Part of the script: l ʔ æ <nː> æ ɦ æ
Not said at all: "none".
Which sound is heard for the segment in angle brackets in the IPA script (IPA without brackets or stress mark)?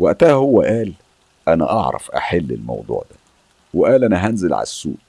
n